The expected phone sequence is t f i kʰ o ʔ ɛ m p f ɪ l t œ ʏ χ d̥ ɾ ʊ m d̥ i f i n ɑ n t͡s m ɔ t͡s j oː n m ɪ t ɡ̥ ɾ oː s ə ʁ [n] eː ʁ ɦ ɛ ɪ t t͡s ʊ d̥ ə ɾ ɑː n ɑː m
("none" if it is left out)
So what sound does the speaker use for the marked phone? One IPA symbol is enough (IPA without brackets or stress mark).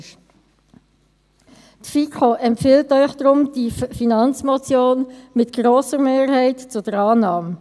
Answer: m